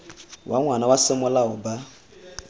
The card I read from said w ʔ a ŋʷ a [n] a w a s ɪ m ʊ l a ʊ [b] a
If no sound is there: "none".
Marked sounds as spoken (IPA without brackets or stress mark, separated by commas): n, b